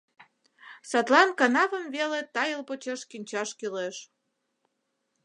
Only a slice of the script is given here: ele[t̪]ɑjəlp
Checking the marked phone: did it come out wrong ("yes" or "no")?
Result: no